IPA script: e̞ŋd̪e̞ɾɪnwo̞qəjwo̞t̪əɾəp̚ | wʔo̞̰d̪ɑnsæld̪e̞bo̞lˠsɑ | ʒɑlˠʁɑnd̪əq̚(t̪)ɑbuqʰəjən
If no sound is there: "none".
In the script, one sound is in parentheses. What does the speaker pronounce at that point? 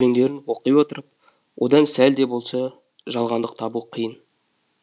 t̪ʰ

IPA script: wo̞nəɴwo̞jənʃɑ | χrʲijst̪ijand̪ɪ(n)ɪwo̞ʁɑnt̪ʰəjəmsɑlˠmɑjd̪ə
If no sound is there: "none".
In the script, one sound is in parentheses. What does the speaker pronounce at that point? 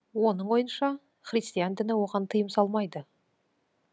n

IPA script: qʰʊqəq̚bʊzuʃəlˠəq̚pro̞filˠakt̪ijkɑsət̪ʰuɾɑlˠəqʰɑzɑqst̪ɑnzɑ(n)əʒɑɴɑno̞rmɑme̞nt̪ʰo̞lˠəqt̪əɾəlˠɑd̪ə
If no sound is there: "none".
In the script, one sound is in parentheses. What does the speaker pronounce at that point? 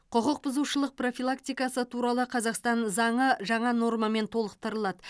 ɴ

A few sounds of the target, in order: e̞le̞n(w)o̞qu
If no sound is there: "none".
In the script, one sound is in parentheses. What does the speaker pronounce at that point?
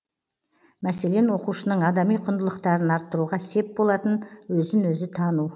w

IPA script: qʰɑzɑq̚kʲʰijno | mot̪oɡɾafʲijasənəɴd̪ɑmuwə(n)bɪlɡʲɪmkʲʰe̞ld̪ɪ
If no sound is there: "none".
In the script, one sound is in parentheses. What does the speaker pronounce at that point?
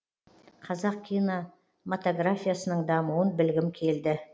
n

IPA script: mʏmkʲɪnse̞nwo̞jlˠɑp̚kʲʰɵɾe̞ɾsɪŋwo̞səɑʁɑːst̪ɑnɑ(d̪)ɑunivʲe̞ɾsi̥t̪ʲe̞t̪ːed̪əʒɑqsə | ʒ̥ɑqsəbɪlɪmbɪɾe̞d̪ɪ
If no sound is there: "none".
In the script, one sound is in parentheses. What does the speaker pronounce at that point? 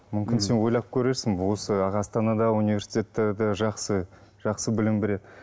d̪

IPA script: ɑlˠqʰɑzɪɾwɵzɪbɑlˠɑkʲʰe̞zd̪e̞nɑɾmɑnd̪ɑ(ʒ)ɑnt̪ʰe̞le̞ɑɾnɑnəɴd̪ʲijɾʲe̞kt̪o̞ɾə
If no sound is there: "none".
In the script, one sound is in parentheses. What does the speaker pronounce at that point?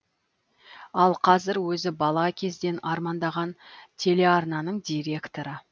ʁ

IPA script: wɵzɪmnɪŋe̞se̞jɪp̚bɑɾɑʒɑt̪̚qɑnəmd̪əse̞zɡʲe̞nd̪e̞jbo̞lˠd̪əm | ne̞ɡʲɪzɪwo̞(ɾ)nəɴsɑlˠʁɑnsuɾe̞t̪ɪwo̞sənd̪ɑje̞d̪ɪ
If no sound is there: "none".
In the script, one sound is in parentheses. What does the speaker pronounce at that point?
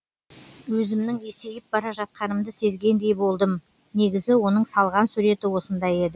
none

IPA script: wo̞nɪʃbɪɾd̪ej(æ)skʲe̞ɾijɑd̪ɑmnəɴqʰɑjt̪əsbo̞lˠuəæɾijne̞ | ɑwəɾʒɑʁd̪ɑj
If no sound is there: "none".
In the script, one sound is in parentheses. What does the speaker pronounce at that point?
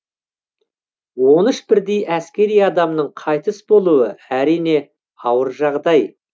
æ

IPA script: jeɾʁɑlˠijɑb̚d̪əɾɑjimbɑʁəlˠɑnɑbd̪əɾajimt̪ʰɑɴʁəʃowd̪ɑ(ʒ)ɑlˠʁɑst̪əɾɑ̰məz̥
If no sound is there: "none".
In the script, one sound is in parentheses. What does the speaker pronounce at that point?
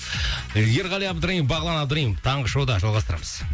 ʒ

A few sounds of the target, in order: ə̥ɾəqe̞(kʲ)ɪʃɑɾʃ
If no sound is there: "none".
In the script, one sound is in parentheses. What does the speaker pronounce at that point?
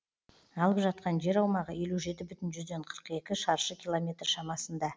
kʲ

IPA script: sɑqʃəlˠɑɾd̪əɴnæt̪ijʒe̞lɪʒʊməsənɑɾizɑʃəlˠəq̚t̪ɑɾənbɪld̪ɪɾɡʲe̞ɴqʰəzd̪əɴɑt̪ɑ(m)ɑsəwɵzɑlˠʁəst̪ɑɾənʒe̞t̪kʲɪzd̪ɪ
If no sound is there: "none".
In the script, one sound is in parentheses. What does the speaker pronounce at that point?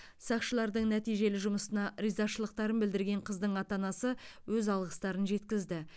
n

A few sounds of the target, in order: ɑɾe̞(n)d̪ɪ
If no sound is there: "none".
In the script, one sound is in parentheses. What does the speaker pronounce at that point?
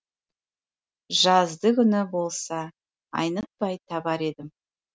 none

